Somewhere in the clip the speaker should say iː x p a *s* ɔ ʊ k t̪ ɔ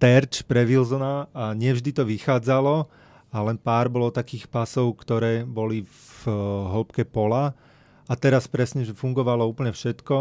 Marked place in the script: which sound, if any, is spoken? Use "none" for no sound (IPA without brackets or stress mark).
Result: s